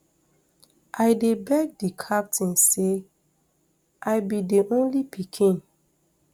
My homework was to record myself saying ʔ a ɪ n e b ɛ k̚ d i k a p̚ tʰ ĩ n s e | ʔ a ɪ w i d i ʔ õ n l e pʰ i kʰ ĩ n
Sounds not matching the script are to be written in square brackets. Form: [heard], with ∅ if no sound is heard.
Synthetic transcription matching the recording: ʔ a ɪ [d] e b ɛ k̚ d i [kʰ] a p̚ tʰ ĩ n s e | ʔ a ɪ [b] i d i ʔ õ n l [i] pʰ i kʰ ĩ n